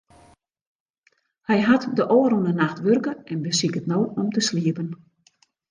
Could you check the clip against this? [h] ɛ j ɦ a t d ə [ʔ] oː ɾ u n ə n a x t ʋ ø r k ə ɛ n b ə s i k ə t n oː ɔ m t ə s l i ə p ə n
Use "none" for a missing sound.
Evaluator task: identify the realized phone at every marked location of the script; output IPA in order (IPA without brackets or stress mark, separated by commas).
h, ʔ